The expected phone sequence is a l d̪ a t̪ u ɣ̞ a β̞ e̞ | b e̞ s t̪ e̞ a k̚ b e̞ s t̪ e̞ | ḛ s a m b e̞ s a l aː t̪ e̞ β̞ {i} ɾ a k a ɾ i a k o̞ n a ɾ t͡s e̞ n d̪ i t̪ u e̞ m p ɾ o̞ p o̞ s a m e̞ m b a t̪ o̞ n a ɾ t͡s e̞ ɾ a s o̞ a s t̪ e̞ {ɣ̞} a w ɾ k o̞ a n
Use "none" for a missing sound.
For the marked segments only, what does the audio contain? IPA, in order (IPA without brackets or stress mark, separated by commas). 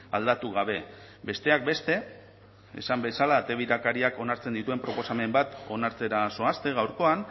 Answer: i, ɣ̞